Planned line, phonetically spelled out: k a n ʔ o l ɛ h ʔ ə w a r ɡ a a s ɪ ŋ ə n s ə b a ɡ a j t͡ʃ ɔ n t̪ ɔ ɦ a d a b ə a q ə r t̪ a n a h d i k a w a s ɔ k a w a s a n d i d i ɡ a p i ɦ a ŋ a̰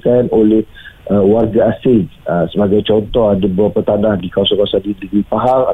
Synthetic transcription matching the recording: k a n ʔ o l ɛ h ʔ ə w a r ɡ a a s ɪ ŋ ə s ə b a ɡ a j t͡ʃ ɔ n t̪ ɔ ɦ a d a b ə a p ə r t̪ a n a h d i k a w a s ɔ k a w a s a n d i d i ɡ i p a ɦ a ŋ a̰